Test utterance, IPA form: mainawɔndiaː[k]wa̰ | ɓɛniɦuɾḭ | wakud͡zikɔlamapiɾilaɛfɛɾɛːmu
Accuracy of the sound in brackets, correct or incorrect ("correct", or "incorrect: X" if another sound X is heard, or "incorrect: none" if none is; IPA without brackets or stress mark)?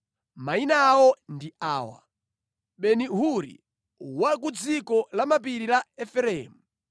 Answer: incorrect: none